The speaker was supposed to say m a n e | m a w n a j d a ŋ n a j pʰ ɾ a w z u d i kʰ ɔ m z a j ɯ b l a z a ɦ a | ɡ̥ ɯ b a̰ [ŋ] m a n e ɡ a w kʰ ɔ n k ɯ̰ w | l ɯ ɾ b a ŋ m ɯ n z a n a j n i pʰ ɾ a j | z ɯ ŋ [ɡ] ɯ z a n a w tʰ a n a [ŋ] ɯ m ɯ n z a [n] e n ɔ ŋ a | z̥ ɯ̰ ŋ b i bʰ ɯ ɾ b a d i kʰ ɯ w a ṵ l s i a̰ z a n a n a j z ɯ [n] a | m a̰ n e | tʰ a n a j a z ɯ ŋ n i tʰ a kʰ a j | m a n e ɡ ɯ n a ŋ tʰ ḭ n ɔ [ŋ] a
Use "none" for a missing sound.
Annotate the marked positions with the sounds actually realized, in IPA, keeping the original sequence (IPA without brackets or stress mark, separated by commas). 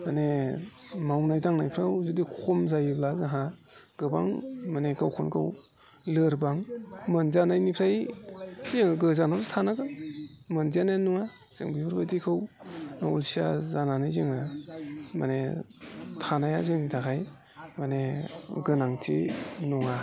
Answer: ŋ, ɡ, ɡ, n, ŋ, ŋ